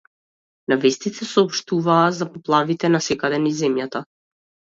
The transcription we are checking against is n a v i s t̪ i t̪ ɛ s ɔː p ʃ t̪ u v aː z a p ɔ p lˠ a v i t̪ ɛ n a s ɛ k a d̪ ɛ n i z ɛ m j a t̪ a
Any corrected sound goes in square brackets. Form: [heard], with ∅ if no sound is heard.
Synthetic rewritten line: n a v [ɛ] s t̪ i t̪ ɛ s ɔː p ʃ t̪ u v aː z a p ɔ p lˠ a v i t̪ ɛ n a s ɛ k a d̪ ɛ n i z ɛ m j a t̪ a